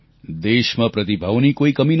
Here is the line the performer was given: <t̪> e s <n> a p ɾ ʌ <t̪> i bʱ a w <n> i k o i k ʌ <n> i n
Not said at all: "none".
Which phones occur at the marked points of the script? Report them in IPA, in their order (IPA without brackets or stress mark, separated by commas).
d̪, m, t̪, n, m